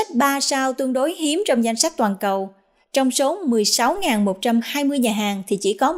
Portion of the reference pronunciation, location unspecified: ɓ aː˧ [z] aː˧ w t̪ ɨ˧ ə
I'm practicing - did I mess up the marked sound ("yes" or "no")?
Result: yes